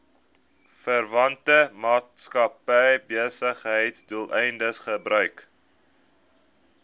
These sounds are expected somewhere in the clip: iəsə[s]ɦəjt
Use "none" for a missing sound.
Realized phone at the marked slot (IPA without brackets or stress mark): χ